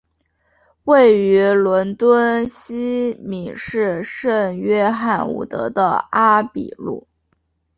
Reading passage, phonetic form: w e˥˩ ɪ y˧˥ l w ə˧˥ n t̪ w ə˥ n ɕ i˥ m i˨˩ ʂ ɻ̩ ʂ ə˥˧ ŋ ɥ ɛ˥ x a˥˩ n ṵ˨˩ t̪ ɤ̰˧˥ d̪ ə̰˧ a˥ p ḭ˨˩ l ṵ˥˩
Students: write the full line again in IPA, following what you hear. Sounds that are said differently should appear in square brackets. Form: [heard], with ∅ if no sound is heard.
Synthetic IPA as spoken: w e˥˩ ɪ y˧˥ l w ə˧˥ n t̪ w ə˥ n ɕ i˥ m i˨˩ ʂ ɻ̩ ʂ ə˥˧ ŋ ɥ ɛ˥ x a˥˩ n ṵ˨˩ t̪ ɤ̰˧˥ d̪ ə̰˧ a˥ p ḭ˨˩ l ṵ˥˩